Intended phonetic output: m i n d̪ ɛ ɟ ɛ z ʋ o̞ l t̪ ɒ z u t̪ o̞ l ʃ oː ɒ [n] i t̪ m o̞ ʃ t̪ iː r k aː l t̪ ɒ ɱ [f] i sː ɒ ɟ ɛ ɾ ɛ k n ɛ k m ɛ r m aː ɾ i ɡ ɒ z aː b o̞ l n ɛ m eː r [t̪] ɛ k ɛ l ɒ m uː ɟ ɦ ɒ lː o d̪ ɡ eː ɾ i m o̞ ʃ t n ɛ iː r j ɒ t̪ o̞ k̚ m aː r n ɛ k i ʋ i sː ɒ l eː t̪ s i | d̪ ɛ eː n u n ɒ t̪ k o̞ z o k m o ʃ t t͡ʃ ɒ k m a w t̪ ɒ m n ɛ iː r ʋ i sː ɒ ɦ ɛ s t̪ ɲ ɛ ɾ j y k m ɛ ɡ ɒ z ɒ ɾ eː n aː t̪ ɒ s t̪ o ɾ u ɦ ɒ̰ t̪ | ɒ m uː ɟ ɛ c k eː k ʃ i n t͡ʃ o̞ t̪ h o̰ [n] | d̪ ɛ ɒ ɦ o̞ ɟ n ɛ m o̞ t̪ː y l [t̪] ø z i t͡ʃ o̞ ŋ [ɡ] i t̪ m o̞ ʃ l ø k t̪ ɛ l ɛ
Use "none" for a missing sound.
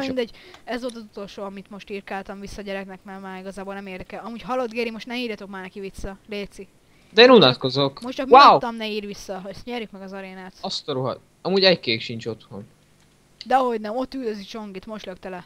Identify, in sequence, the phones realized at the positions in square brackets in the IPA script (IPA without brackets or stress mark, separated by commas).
m, v, d̪, n, d̪, ɡ